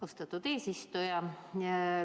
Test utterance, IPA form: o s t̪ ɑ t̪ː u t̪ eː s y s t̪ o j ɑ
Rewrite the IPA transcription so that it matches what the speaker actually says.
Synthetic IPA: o s t̪ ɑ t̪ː u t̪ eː s i s t̪ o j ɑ